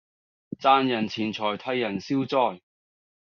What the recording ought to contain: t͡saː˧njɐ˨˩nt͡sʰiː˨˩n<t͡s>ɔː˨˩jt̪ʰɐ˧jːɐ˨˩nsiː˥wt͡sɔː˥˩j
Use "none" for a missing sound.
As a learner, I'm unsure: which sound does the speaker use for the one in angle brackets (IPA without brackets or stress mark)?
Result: t͡sʰ